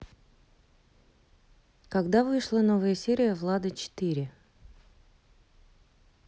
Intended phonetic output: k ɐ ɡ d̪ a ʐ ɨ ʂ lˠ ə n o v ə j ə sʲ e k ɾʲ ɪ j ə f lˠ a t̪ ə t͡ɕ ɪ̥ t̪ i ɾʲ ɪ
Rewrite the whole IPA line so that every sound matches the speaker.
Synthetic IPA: k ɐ ɡ d̪ a v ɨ ʂ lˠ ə n o v ə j ə sʲ e ɾʲ ɪ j ə v lˠ a d̪ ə t͡ɕ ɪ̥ t̪ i ɾʲ ɪ

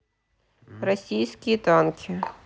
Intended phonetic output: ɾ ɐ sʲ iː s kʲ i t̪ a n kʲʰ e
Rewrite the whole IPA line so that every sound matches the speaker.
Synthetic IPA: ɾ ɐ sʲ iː s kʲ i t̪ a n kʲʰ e

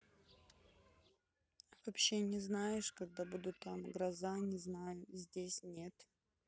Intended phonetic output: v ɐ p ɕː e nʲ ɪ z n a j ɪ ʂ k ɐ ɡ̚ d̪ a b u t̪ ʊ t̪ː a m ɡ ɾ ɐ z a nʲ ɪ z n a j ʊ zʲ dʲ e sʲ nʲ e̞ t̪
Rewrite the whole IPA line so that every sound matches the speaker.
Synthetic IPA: v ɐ p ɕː e nʲ ɪ z n a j ɪ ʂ k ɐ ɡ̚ d̪ a b u d̪ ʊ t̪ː a m ɡ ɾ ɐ z a nʲ ɪ z n a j ʊ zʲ dʲ e sʲ nʲ e̞ t̪

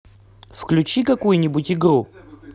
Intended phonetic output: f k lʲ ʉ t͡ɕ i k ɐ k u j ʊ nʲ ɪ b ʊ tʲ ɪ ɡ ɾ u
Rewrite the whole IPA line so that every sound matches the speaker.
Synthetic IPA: f k lʲ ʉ t͡ɕ i k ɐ k u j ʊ nʲ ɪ b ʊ tʲ ɪ ɡ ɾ u

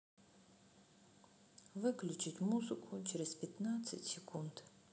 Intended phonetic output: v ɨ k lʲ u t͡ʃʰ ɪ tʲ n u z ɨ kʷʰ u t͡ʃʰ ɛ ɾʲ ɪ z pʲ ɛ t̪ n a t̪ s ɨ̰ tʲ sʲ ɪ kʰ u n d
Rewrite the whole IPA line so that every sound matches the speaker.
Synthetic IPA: v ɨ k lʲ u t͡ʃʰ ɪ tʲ m u z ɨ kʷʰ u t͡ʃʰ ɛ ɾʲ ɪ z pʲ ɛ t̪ n a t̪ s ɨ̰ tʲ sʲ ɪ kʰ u n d

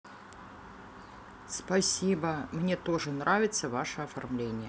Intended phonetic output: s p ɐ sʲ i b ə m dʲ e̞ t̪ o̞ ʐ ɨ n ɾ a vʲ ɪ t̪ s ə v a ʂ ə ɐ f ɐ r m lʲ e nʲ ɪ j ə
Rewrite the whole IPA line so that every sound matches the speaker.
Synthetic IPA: s p ɐ sʲ i b ə m nʲ e̞ t̪ o̞ ʐ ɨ n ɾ a vʲ ɪ t̪ s ə v a ʂ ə ɐ f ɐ r m lʲ e nʲ ɪ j ə

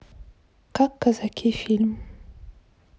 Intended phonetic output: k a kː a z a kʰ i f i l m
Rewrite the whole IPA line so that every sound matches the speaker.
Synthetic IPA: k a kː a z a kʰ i f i l m

